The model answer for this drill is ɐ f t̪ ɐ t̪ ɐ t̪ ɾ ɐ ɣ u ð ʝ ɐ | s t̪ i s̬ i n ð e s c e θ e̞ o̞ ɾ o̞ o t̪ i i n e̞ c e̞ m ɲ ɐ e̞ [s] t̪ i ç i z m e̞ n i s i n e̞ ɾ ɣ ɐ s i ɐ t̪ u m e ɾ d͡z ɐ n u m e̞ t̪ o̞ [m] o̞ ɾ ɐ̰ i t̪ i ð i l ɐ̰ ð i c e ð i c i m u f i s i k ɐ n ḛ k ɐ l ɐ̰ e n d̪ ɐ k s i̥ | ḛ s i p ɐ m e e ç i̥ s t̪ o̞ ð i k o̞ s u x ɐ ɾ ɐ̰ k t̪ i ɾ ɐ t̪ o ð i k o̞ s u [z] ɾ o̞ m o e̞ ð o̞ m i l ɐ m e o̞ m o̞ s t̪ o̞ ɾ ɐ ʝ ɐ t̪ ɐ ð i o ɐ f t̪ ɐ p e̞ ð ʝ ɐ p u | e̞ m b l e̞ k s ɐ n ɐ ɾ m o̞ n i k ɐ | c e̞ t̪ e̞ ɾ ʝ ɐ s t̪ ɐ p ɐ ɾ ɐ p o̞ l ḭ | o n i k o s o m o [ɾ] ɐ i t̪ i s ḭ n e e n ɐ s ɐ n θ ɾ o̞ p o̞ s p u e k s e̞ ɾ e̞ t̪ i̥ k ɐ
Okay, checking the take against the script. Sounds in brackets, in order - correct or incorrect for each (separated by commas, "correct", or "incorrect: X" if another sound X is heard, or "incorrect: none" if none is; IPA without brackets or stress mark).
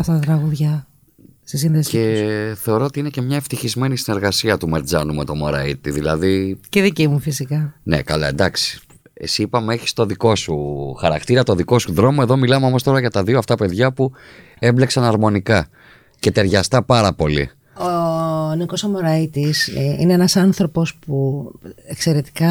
incorrect: f, correct, incorrect: ð, correct